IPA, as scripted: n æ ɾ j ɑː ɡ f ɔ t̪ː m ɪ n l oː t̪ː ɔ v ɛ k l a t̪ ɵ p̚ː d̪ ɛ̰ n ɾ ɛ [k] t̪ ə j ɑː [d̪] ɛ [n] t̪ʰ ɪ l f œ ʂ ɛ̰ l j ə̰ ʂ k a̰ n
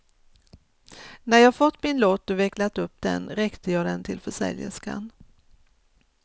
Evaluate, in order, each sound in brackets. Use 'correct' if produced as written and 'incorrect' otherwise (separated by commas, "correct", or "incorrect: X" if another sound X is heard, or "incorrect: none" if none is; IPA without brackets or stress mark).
correct, correct, correct